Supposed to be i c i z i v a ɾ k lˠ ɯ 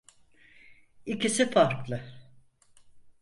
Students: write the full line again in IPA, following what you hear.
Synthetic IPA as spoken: i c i s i f a ɾ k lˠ ɯ